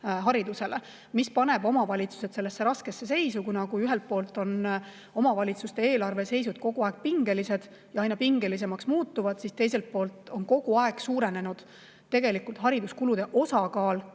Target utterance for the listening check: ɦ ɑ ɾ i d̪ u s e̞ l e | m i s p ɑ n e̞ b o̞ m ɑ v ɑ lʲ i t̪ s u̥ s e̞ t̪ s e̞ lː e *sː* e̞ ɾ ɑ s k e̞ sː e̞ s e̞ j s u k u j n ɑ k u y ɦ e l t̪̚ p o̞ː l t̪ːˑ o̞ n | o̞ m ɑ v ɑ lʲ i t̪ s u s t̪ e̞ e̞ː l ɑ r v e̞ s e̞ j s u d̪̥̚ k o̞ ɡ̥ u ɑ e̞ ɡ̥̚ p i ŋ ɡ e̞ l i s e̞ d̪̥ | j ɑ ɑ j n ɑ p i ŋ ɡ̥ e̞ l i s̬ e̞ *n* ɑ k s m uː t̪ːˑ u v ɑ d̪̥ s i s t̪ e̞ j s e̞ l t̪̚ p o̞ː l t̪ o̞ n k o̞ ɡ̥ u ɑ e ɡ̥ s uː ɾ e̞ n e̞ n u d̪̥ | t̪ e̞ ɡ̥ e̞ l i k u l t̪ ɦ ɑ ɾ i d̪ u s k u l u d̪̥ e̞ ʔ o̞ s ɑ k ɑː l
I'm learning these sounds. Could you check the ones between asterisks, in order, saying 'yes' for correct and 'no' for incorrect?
yes, no

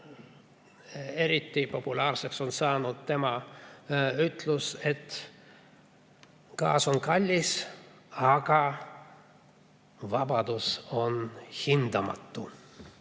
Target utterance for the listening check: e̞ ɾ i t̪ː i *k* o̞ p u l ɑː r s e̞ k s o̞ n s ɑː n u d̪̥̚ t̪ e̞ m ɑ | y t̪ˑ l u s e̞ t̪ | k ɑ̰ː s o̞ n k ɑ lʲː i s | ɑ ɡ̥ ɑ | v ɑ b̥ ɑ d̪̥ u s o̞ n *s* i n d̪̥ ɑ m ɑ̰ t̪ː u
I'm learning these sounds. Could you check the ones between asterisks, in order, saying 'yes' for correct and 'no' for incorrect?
no, no

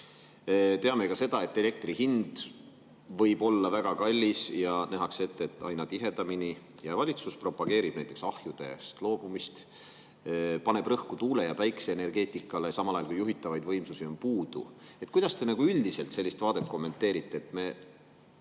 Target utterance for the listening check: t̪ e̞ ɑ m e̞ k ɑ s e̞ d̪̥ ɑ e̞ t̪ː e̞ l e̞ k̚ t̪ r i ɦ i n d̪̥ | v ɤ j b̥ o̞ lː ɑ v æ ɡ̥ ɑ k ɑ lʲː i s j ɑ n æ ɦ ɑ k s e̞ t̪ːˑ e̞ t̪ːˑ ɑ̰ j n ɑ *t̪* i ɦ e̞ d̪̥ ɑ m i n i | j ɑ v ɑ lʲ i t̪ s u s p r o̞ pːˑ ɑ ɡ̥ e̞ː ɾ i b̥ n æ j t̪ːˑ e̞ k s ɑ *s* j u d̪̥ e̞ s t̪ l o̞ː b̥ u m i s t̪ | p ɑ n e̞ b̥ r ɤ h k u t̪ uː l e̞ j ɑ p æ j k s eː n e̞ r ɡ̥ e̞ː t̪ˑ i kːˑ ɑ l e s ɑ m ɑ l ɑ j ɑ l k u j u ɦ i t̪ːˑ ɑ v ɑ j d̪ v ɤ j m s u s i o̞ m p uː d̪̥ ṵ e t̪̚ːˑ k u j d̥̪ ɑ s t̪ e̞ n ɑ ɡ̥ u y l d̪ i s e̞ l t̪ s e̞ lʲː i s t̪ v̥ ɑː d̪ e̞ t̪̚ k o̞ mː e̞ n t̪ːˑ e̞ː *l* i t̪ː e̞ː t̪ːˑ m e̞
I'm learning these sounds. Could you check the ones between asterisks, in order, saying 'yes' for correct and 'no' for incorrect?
yes, no, no

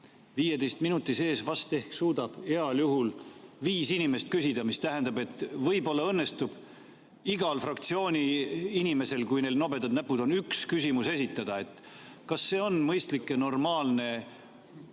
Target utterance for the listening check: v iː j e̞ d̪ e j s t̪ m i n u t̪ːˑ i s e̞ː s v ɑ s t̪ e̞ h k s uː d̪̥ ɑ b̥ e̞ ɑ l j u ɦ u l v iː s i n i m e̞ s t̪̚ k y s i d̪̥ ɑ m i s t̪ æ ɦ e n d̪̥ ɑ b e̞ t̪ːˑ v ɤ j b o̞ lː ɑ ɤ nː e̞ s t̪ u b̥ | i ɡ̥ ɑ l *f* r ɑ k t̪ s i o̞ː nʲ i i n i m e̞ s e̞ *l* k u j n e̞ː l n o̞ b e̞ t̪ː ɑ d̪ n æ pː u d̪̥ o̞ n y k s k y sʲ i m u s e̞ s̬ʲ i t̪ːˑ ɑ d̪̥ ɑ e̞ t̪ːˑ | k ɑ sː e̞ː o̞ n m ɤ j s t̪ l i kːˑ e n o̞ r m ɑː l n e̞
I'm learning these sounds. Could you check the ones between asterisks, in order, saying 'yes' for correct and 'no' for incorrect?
yes, yes

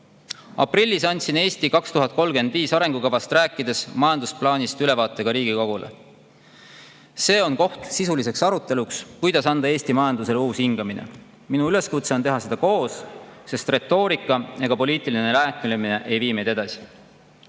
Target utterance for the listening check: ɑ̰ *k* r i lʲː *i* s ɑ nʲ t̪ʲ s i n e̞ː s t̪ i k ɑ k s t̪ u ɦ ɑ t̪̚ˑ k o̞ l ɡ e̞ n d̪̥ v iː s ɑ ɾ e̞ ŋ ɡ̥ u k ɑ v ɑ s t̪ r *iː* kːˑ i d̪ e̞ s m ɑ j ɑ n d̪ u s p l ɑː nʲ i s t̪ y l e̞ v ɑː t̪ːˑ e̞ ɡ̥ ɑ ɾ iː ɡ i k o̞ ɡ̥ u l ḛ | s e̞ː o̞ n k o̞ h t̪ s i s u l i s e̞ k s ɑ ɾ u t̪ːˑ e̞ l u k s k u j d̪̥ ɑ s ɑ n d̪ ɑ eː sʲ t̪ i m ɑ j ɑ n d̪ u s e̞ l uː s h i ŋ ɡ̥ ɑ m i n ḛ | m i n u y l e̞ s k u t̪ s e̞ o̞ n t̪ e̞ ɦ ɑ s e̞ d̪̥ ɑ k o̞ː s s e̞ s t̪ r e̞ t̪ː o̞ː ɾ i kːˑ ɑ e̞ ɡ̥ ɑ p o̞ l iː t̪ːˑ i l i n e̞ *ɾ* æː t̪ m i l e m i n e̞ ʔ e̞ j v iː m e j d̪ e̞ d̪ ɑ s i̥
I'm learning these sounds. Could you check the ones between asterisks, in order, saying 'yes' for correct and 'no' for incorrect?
no, yes, no, no

